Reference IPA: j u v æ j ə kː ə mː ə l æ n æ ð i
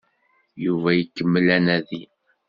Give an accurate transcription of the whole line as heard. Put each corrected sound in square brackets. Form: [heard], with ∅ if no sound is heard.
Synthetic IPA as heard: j u v æ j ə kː ə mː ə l æ n æ ð i